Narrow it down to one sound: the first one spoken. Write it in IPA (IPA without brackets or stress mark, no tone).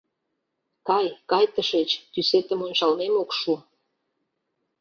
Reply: k